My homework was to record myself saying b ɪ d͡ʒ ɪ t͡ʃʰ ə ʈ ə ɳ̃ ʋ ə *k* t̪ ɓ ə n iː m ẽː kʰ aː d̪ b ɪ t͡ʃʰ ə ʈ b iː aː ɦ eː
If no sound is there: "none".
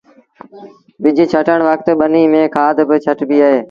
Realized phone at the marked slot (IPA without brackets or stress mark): k